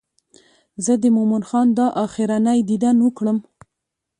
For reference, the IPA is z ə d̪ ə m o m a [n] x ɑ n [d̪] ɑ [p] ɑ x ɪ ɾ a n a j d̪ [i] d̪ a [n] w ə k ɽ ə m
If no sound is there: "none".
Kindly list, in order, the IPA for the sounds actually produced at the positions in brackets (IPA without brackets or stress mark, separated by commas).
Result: n, d̪, ʔ, i, n